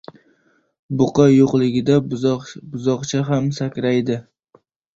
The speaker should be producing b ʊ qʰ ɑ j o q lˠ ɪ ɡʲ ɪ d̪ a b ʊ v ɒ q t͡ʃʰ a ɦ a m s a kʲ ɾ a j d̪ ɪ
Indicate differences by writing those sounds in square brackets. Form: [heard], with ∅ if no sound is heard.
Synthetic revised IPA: b ʊ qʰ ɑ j o q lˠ ɪ ɡʲ ɪ d̪ a b ʊ [z] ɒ q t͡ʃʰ a ɦ a m s a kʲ ɾ a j d̪ ɪ